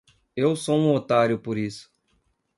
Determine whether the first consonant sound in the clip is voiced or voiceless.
voiced